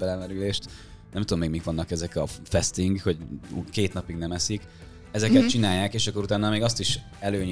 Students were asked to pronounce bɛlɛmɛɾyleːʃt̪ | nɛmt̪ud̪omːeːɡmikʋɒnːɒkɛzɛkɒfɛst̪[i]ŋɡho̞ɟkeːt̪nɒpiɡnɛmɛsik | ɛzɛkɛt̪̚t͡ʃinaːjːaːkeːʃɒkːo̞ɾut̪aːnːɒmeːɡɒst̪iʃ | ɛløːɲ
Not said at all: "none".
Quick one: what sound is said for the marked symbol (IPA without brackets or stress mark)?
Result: i